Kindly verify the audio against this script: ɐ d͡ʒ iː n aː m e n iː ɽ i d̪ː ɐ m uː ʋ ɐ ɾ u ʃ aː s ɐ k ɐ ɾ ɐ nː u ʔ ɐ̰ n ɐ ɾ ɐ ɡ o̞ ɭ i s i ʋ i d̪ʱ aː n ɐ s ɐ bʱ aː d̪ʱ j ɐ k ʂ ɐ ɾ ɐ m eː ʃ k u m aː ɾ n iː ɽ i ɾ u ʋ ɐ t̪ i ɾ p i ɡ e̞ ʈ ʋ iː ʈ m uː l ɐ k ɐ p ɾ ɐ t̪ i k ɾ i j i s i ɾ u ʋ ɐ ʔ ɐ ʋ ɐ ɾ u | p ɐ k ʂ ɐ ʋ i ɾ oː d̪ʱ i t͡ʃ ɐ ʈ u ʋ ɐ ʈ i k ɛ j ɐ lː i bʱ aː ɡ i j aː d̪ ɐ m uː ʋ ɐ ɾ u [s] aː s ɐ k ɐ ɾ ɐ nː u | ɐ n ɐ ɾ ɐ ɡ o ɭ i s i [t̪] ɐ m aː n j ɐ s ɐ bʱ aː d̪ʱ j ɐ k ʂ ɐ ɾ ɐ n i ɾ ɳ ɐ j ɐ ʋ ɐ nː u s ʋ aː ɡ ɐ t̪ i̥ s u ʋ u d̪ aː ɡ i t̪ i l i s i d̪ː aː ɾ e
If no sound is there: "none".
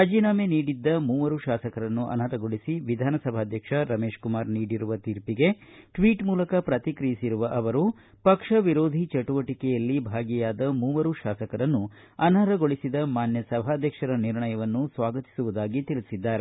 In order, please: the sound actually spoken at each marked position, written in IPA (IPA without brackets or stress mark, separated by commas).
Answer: ʃ, d̪